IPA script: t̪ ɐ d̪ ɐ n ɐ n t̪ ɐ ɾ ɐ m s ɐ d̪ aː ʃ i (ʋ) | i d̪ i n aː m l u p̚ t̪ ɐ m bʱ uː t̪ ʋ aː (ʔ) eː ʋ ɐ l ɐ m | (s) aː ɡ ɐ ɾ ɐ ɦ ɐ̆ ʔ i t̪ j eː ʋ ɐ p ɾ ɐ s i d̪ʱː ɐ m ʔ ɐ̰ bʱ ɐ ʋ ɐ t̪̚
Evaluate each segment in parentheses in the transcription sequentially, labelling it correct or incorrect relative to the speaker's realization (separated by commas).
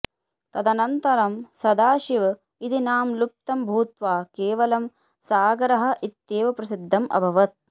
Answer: correct, incorrect, correct